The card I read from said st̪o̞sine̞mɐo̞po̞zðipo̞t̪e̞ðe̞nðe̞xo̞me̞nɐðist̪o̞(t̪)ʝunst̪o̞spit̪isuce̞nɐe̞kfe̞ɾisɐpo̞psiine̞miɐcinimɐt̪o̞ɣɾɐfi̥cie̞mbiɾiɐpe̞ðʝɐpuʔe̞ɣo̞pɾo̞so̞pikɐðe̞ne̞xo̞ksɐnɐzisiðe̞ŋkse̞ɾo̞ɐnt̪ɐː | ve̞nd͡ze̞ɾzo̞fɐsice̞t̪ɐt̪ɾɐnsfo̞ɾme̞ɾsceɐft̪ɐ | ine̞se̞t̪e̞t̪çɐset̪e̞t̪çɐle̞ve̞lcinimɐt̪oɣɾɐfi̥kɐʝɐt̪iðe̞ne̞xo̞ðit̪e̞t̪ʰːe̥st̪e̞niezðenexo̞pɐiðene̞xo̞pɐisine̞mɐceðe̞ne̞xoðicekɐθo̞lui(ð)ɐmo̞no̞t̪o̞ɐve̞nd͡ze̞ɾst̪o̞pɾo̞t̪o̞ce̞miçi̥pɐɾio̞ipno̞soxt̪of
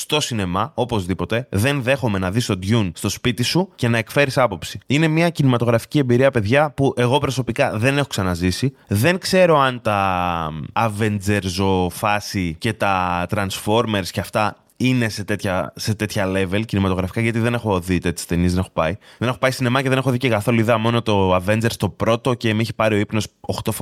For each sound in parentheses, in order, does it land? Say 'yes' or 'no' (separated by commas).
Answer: no, yes